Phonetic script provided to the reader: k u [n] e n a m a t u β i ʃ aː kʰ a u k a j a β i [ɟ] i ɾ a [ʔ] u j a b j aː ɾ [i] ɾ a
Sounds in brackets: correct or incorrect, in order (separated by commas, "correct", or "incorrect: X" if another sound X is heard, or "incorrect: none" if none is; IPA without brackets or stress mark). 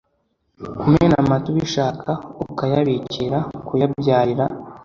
incorrect: m, incorrect: c, incorrect: k, correct